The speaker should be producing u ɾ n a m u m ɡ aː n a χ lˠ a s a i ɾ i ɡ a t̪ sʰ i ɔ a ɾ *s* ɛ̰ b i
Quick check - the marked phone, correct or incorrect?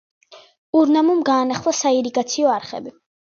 incorrect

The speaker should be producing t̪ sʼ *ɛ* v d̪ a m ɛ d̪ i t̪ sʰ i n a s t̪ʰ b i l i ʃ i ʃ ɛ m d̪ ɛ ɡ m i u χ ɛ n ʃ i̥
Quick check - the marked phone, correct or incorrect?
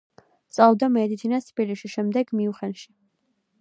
incorrect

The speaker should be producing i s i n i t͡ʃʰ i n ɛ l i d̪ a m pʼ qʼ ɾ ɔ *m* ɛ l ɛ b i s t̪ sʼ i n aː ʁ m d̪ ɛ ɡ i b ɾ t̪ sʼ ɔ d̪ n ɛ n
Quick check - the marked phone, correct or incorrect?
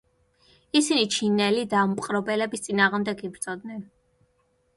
incorrect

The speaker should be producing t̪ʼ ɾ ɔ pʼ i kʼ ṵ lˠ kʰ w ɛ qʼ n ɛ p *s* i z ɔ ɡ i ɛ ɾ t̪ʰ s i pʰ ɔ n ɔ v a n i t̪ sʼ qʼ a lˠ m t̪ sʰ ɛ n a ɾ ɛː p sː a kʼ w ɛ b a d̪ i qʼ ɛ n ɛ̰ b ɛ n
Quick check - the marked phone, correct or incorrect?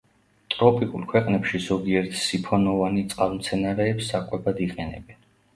incorrect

